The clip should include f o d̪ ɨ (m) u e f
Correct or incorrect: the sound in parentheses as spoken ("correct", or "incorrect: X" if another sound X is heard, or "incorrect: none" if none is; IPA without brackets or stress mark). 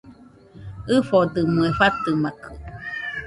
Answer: correct